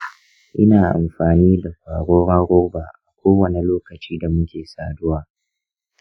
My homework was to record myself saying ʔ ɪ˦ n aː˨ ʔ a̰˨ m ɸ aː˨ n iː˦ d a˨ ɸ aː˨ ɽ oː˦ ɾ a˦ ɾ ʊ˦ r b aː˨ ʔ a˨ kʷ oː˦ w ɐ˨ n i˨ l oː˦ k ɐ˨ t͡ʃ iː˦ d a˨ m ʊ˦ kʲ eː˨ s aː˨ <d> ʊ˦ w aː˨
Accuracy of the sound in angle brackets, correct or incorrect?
correct